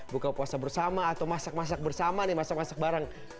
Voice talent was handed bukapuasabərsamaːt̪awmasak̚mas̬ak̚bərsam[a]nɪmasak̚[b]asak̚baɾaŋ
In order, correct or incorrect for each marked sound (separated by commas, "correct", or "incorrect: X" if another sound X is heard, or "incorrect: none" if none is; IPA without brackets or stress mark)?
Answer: correct, incorrect: m